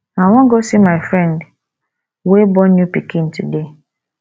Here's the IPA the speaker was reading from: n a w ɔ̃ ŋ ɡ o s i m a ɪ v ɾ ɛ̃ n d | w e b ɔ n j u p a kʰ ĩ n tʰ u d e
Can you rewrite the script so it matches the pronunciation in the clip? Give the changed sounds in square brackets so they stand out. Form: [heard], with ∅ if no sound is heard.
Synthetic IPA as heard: n a w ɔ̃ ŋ ɡ o s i m a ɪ [f] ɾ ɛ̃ n d | w e b ɔ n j u p [i] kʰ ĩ n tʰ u d e